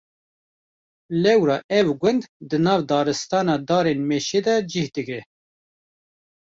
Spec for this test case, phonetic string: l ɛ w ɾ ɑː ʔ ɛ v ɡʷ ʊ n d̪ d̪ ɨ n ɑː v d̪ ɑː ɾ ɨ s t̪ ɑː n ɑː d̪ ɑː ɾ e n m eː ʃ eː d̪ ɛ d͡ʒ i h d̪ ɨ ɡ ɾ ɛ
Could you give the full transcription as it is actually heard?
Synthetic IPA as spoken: l ɛ w ɾ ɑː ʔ ɛ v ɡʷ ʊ n d̪ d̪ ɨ n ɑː v d̪ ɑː ɾ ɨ s t̪ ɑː n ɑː d̪ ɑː ɾ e n m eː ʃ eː d̪ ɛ d͡ʒ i h d̪ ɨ ɡ ɾ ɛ